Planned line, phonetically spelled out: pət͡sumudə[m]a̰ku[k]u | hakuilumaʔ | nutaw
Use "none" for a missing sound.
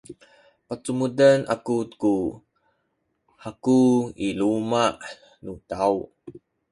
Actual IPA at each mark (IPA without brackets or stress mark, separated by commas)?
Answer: n, k